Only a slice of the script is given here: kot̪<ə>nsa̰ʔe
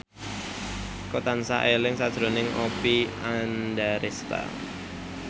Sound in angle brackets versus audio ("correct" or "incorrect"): incorrect